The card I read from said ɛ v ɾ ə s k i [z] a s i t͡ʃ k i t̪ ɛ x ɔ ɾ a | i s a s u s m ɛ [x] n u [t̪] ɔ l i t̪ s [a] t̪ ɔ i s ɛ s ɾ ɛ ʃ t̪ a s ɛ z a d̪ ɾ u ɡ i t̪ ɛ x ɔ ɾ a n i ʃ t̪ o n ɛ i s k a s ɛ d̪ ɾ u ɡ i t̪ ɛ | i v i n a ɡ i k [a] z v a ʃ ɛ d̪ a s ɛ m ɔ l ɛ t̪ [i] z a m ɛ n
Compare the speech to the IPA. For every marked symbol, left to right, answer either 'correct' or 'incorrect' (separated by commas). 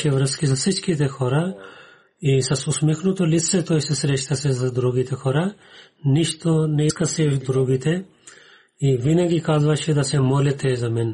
correct, correct, correct, incorrect, correct, incorrect